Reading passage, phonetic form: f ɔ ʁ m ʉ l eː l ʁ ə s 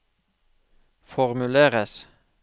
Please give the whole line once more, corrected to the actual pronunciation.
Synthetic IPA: f ɔ ʁ m ʉ l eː ʁ ə s